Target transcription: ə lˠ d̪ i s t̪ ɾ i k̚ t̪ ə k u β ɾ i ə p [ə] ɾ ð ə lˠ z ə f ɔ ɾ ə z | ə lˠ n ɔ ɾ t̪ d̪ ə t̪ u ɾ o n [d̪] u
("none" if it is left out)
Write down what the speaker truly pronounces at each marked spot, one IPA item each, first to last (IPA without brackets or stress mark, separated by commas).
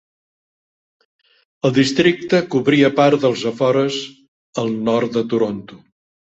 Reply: a, t̪